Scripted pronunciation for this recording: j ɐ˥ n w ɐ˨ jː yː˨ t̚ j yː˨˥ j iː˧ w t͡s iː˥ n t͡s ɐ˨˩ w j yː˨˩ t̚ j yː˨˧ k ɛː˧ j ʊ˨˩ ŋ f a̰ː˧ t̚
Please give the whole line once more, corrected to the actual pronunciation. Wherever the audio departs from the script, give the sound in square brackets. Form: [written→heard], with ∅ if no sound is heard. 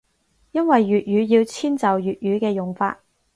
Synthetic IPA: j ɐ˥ n w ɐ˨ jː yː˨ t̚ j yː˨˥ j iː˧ w [t͡s→t͡sʰ] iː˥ n t͡s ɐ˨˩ w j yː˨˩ t̚ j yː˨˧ k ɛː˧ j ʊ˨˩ ŋ f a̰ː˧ t̚

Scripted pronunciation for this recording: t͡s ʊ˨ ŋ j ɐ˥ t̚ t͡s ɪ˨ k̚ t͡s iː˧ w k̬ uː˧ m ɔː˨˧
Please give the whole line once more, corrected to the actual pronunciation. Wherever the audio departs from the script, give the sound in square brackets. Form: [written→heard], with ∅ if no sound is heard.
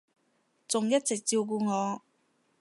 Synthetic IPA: t͡s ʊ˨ ŋ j ɐ˥ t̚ t͡s ɪ˨ k̚ t͡s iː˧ w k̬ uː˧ [m→ŋ] ɔː˨˧

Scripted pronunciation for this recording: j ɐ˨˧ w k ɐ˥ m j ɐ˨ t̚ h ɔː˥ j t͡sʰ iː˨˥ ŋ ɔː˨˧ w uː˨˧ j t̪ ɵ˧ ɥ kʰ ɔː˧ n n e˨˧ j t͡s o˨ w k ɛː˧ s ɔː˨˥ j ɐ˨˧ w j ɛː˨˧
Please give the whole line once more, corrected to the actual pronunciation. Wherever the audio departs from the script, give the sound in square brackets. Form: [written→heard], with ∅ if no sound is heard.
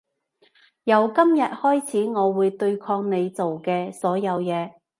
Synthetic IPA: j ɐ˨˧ w k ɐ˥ m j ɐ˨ t̚ h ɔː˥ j t͡sʰ iː˨˥ ŋ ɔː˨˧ w uː˨˧ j t̪ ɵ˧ ɥ kʰ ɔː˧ [n→ŋ] n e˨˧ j t͡s o˨ w k ɛː˧ s ɔː˨˥ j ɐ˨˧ w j ɛː˨˧

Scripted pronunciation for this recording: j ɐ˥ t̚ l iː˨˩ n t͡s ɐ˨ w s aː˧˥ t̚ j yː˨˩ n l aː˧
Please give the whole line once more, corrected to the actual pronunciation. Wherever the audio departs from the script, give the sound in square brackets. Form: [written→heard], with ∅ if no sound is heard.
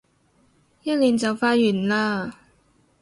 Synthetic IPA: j ɐ˥ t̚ l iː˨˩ n t͡s ɐ˨ w [s→f] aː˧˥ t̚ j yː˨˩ n l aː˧

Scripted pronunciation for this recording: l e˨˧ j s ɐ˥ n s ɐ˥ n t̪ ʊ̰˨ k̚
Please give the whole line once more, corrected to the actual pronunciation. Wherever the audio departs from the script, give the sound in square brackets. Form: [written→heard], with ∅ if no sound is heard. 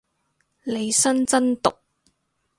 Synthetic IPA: l e˨˧ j s ɐ˥ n [s→t͡s] ɐ˥ n t̪ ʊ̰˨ k̚

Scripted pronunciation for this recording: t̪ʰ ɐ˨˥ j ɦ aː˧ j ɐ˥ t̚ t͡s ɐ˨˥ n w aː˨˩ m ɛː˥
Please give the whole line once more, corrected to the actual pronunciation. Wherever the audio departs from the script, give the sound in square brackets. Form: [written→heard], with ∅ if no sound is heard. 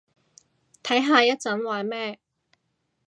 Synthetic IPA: t̪ʰ ɐ˨˥ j ɦ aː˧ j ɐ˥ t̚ t͡s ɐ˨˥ n w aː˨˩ m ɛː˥

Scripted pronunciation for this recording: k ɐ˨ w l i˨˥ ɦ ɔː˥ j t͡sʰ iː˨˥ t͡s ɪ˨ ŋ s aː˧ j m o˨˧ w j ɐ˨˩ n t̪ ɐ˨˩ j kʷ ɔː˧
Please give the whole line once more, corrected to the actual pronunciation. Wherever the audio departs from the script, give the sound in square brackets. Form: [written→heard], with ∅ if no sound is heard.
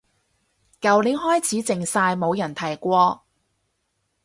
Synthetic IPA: k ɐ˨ w l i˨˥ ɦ ɔː˥ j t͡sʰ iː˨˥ t͡s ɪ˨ ŋ s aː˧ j m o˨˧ w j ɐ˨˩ n [t̪→t̪ʰ] ɐ˨˩ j kʷ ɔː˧

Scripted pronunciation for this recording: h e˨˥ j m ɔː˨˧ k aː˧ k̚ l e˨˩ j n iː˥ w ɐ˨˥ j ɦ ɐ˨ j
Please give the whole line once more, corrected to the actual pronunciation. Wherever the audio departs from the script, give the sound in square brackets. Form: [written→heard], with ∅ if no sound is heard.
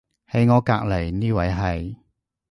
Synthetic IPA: h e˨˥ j [m→ŋ] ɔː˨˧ k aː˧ k̚ l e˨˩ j n iː˥ w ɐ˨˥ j ɦ ɐ˨ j

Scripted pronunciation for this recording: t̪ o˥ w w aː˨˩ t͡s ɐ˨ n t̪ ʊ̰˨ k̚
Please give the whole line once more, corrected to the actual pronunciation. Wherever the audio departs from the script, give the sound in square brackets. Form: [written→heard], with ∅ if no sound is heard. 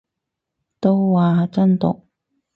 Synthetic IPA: t̪ o˥ w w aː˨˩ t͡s [ɐ˨→ɐ˥] n t̪ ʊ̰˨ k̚

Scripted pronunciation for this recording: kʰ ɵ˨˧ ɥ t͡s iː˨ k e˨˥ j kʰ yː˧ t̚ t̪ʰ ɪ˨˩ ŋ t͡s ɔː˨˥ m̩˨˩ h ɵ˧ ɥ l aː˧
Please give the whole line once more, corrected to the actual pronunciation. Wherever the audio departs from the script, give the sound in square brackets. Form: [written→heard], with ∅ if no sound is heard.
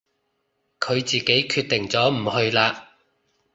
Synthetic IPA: kʰ ɵ˨˧ ɥ t͡s iː˨ k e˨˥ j kʰ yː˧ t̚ [t̪ʰ→t̪] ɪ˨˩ ŋ t͡s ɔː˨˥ m̩˨˩ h ɵ˧ ɥ l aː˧

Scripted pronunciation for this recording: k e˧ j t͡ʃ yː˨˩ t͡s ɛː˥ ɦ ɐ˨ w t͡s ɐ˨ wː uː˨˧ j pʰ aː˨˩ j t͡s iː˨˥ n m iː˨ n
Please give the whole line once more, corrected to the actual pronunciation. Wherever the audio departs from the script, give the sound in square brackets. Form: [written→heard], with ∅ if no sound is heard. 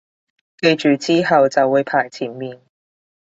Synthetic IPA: k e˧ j t͡ʃ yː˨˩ t͡s [ɛː˥→iː˥] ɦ ɐ˨ w t͡s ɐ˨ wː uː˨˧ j pʰ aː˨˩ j [t͡s→t͡sʰ] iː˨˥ n m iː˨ n

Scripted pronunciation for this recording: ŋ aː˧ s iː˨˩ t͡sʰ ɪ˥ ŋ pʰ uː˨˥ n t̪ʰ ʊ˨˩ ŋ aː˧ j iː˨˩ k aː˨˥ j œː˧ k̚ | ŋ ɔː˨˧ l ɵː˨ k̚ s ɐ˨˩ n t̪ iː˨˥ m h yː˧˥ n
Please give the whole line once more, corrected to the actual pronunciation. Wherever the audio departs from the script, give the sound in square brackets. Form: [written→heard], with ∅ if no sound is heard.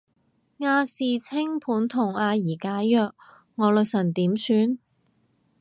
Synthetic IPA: ŋ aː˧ s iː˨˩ t͡sʰ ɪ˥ ŋ pʰ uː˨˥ n t̪ʰ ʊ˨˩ ŋ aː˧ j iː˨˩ k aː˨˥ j œː˧ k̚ | ŋ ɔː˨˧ l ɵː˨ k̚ s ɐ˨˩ n t̪ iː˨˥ m [h→s] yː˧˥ n

